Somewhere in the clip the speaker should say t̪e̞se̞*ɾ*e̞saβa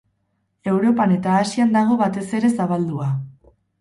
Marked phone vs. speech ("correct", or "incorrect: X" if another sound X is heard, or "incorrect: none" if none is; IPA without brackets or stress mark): correct